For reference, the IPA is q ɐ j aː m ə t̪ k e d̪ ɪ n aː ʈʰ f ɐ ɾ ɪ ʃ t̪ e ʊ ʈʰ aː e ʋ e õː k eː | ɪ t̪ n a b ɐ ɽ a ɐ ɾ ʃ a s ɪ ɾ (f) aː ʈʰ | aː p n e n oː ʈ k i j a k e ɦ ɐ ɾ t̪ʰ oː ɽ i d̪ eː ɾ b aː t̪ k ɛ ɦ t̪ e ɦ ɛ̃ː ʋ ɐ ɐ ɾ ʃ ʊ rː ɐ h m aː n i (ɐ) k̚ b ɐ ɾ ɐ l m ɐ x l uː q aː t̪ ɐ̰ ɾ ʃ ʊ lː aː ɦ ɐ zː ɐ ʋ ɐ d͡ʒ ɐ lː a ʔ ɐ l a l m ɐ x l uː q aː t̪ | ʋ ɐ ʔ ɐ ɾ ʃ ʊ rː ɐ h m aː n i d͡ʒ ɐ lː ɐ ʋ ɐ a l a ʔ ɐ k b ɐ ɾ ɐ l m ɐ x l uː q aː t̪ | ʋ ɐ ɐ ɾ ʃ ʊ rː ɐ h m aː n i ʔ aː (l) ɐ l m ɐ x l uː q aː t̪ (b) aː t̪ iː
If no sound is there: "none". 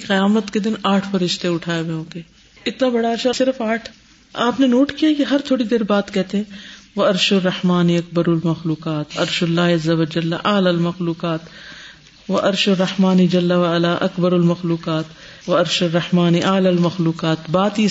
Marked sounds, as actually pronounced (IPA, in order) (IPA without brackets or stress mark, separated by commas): f, ɐ, l, b